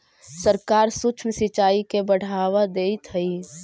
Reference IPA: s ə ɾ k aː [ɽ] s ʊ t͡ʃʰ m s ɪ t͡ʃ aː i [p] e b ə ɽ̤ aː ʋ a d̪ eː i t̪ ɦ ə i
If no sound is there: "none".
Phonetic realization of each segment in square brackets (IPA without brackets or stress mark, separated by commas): ɾ, k